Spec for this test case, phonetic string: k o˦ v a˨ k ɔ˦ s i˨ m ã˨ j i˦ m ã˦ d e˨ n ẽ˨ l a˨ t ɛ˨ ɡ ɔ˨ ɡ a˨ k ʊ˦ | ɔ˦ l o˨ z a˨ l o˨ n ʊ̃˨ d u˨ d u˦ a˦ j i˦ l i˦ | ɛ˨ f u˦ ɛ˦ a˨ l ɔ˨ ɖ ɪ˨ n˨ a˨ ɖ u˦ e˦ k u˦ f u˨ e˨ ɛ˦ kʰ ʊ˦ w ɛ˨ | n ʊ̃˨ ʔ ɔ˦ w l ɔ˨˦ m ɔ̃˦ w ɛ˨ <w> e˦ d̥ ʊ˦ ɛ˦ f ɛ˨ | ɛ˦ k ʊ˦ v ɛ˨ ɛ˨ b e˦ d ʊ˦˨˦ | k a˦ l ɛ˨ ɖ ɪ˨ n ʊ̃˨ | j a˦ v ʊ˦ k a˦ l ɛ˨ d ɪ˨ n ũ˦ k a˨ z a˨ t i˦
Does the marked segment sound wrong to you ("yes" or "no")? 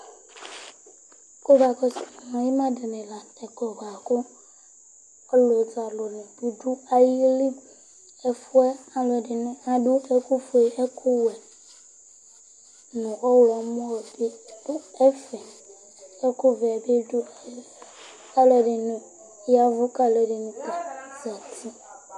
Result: yes